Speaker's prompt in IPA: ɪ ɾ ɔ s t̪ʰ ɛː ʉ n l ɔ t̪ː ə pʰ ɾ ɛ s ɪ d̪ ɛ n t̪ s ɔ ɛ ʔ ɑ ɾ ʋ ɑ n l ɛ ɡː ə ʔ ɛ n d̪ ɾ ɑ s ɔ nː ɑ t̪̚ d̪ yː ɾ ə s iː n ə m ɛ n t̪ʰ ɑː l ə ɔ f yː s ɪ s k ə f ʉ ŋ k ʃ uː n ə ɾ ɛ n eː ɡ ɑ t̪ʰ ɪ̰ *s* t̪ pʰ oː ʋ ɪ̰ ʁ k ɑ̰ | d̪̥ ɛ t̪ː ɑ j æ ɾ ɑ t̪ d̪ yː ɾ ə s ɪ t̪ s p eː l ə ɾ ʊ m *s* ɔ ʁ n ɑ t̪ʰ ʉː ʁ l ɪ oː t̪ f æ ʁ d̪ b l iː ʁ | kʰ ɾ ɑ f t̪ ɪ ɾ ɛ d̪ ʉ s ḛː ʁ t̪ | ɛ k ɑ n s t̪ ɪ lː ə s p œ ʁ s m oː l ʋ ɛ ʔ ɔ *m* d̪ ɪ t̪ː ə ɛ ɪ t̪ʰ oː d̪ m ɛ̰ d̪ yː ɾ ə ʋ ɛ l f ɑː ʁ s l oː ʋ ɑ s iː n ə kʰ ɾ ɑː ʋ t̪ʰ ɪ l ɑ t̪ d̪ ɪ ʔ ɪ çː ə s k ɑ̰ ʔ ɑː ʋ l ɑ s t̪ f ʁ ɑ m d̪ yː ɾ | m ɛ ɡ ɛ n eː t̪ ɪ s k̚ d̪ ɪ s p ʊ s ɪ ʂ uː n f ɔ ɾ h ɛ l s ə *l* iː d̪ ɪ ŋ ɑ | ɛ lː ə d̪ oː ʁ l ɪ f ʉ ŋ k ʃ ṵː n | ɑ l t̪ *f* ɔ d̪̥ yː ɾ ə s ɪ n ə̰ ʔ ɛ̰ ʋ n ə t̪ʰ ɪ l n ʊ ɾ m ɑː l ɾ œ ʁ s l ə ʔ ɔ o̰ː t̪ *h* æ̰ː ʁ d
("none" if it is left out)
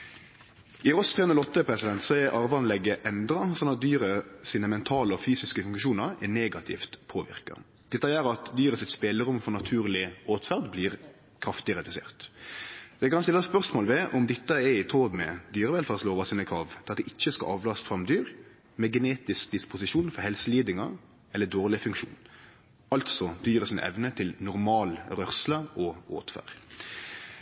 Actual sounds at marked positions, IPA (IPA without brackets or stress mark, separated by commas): f, f, m, l, s, f